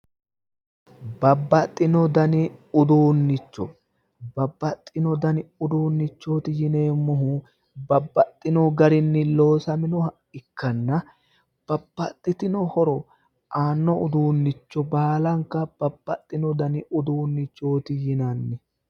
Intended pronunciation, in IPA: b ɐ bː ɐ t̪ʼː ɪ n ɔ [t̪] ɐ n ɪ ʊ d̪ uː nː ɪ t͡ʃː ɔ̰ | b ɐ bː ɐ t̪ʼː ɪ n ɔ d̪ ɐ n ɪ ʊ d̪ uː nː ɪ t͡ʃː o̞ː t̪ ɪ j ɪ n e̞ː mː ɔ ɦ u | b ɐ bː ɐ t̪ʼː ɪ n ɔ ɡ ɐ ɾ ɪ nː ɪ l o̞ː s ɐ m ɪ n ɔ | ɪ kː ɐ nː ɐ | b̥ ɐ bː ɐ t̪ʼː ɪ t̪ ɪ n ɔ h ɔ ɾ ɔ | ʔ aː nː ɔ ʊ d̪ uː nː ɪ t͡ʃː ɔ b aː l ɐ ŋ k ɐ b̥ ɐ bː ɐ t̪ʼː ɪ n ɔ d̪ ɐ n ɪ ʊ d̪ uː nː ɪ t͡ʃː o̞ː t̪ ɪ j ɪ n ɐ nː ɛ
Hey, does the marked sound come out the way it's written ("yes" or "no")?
no